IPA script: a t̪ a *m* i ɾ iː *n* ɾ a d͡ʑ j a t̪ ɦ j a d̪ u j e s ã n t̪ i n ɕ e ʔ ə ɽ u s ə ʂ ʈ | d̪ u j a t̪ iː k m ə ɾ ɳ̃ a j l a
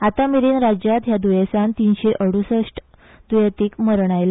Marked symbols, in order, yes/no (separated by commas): yes, yes